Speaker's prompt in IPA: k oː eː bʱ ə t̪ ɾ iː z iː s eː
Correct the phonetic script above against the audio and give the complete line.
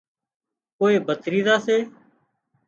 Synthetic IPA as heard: k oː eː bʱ ə t̪ ɾ iː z aː s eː